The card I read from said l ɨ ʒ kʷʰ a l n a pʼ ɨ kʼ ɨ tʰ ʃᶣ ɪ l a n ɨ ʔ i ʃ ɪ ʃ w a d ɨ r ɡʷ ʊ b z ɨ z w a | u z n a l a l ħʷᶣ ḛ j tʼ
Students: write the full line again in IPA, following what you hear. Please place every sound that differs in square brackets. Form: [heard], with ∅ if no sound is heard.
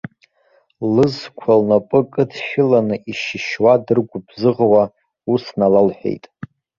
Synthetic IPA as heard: l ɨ [z] kʷʰ a l n a pʼ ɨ kʼ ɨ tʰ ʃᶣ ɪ l a n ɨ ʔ i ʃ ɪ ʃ w a d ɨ r ɡʷ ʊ b z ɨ [ʁ] w a | u [s] n a l a l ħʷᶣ ḛ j tʼ